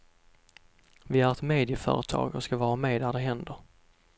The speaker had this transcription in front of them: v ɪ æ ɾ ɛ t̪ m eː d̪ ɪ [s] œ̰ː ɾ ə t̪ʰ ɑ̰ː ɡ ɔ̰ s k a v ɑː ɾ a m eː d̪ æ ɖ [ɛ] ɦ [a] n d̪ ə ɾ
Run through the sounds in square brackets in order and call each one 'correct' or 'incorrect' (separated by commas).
incorrect, correct, incorrect